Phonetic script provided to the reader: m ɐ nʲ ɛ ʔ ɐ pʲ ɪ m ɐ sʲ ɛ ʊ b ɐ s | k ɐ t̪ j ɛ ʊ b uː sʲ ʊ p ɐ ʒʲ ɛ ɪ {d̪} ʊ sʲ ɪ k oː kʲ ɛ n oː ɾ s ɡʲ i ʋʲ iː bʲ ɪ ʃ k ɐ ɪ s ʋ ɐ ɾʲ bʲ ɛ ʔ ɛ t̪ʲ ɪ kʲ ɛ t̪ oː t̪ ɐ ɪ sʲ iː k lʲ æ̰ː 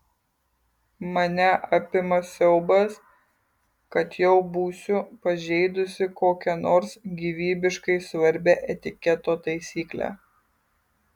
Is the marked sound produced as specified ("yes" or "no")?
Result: yes